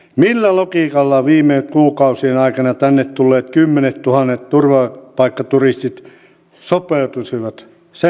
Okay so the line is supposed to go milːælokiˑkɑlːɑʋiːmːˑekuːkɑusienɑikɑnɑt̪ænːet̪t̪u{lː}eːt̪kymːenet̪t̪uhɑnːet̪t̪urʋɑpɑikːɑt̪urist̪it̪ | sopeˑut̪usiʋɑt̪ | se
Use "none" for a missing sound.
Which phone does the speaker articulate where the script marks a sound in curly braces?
lː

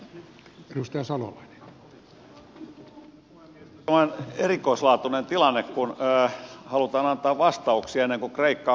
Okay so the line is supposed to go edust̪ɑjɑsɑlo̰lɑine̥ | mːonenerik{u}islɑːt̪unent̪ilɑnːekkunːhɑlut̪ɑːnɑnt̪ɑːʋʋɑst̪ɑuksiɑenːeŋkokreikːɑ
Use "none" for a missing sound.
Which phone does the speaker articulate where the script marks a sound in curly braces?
o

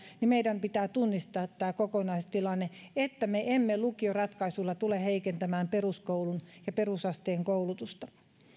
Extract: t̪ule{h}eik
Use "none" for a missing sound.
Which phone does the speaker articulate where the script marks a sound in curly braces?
h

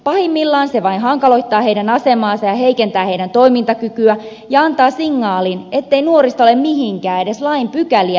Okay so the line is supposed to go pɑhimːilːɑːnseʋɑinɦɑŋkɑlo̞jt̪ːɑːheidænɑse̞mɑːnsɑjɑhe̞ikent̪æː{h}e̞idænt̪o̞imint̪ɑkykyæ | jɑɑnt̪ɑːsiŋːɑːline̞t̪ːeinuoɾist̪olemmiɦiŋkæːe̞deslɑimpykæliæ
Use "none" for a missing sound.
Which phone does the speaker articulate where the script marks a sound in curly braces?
h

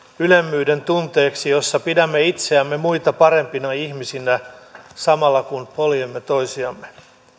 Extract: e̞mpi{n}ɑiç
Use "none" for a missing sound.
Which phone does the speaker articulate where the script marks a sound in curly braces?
n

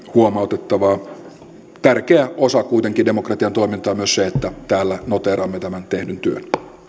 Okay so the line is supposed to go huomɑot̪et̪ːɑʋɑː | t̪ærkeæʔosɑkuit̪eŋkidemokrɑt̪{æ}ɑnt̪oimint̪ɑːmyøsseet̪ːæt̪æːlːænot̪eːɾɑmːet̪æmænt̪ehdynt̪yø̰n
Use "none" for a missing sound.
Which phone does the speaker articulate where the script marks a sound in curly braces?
i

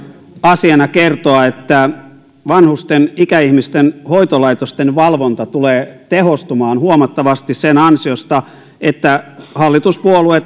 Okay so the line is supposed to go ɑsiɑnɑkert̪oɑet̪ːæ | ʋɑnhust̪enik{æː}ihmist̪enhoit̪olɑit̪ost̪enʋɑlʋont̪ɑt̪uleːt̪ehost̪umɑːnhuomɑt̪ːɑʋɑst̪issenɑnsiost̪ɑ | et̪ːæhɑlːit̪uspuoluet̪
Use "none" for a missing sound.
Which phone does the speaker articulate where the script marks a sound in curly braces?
æ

